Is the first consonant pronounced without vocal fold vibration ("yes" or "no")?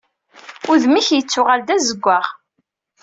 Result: no